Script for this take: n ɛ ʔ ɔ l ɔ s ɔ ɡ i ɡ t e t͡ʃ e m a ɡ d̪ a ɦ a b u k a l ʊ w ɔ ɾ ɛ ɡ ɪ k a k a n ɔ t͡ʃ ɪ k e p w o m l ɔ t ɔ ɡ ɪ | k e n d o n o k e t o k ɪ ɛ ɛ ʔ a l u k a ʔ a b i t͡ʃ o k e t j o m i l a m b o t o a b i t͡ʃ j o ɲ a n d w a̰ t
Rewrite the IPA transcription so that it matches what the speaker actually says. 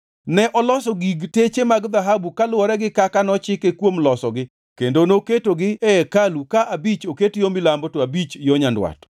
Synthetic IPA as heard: n ɛ ʔ ɔ l ɔ s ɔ ɡ i ɡ t e t͡ʃ e m a ɡ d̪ a ɦ a b u k a l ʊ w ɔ ɾ ɛ ɡ ɪ k a k a n ɔ t͡ʃ ɪ k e k w o m l ɔ s ɔ ɡ ɪ | k e n d o n o k e t o ɡ ɪ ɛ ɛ k a l u k a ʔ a b i t͡ʃ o k e t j o m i l a m b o t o a b i t͡ʃ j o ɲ a n d w a̰ t